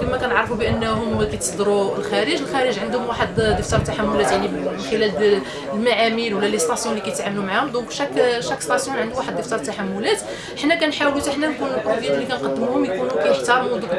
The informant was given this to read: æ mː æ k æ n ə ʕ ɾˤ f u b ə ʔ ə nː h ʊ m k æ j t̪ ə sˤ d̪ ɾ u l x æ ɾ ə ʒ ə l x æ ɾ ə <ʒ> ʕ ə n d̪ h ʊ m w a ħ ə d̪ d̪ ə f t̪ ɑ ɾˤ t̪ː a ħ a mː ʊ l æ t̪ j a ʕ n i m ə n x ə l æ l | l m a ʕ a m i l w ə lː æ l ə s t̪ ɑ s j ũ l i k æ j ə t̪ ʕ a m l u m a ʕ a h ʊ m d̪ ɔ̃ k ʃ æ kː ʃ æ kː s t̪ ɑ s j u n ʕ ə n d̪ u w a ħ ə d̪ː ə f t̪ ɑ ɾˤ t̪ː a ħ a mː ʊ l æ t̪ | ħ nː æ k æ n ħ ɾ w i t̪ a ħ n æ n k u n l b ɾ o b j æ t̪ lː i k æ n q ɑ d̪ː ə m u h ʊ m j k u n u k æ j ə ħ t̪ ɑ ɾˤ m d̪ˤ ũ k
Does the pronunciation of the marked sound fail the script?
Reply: no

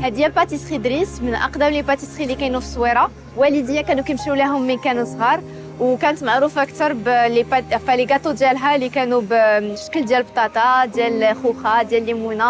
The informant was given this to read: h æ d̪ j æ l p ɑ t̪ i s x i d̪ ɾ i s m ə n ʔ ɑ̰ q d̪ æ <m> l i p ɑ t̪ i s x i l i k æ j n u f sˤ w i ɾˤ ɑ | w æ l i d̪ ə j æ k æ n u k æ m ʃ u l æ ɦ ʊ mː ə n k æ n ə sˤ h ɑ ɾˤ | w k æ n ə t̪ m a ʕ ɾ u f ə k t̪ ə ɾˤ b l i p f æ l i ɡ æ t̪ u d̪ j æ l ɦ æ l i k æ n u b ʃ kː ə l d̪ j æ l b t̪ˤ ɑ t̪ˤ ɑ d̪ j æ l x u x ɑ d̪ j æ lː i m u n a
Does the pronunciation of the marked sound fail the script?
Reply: no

